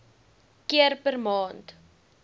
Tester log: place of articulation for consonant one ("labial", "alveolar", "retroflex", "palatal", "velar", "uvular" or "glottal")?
velar